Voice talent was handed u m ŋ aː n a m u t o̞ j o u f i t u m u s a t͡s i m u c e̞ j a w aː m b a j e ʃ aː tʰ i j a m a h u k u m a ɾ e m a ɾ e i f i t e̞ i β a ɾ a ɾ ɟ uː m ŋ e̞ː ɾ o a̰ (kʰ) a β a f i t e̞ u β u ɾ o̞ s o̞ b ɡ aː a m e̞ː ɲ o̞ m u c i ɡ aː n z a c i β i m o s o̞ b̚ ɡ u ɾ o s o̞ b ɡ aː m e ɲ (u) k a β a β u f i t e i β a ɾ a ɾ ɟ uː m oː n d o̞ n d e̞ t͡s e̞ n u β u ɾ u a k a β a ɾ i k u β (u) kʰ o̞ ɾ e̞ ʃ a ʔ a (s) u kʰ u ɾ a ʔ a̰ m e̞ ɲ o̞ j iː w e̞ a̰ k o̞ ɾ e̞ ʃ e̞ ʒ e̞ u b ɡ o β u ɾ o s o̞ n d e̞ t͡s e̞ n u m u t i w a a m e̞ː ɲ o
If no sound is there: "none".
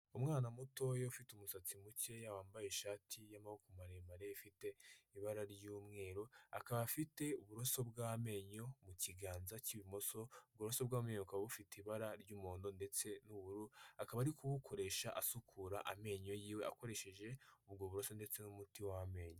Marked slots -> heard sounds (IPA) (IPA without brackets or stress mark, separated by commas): k, o, u, s